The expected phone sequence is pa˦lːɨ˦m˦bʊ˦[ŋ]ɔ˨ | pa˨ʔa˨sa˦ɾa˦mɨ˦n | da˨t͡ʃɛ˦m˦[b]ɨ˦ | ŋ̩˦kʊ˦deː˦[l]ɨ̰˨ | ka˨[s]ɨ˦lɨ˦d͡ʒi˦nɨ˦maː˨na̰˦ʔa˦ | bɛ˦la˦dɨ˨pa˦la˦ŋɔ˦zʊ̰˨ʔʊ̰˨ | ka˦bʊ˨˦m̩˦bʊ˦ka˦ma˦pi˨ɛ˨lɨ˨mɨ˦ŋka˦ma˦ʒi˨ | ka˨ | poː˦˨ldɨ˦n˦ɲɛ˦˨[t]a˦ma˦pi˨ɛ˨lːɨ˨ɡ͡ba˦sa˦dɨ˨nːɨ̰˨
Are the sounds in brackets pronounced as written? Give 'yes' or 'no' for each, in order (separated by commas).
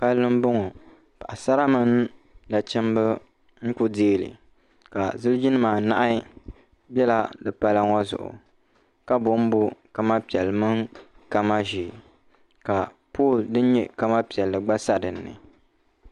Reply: yes, yes, yes, no, no